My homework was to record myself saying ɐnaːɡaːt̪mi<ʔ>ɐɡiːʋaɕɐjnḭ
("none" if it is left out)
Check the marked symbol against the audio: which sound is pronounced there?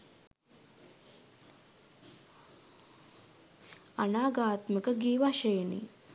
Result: k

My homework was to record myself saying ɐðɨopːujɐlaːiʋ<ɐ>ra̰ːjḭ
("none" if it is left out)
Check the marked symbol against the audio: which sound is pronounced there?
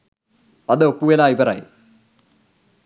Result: ɐ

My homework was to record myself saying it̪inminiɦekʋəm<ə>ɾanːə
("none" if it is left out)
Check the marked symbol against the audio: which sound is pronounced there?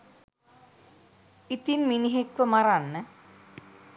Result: a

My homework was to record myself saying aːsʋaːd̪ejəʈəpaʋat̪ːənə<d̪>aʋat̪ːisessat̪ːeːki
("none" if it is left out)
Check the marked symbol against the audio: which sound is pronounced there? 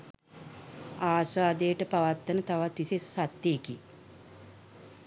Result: t̪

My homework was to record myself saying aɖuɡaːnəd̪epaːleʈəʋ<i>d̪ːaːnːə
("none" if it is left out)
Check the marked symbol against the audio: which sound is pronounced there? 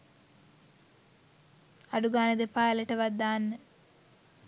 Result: a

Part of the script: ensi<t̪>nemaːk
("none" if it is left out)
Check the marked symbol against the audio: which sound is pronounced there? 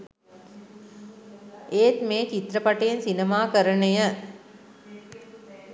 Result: none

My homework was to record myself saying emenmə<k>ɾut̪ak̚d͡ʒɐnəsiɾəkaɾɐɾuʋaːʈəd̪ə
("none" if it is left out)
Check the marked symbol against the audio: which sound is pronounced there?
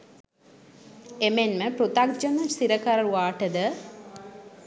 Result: p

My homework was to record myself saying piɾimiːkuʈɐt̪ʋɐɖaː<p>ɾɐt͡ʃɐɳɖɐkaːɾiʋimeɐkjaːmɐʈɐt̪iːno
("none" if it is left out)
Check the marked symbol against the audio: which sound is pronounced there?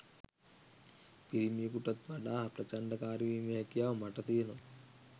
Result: p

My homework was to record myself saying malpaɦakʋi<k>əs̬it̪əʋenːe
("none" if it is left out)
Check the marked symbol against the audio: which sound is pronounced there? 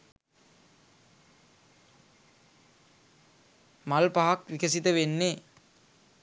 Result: k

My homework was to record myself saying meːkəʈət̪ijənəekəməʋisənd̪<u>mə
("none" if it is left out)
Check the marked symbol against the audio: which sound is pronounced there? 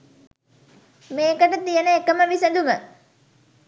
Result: u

